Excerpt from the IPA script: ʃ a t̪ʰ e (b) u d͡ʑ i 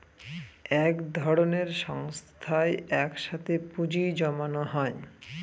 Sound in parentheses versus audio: incorrect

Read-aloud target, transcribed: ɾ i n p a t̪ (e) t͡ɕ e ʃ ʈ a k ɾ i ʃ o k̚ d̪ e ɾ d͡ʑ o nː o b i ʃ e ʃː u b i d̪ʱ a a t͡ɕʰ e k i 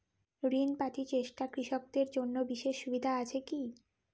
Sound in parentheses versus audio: incorrect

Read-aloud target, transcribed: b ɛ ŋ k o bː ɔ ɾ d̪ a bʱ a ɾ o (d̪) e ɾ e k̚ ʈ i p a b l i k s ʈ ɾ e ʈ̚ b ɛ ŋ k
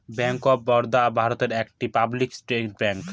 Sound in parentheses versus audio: incorrect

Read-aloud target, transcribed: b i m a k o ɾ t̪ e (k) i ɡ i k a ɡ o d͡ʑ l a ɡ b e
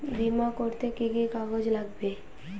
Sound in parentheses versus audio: correct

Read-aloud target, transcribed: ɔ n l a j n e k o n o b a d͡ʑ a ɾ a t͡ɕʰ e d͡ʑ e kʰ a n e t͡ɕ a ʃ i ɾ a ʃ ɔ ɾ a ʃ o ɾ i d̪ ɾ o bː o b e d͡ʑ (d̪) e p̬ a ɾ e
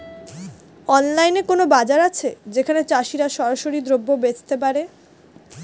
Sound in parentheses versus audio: incorrect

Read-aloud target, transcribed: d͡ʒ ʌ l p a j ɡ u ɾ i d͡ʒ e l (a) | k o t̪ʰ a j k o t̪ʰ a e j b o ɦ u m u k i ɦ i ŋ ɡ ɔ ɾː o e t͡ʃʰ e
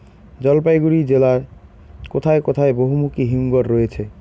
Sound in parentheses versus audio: correct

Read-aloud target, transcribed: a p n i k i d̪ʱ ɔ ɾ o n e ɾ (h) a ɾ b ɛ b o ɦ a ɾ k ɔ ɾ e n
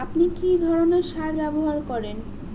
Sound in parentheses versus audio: incorrect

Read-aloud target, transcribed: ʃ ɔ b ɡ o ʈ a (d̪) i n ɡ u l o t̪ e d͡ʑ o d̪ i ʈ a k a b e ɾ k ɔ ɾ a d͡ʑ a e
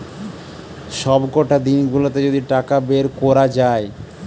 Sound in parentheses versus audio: correct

